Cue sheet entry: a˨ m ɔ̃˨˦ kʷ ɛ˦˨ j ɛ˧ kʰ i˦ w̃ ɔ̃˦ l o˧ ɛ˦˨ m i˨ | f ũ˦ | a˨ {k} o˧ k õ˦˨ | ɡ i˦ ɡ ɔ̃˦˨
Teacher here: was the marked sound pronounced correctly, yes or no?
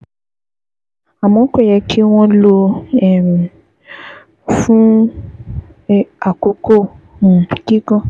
yes